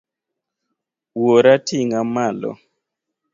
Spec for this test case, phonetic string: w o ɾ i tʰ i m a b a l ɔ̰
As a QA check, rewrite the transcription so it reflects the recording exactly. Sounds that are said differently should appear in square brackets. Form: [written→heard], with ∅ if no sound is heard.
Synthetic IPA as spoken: w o ɾ [i→a] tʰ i [m→ŋ] a [b→m] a l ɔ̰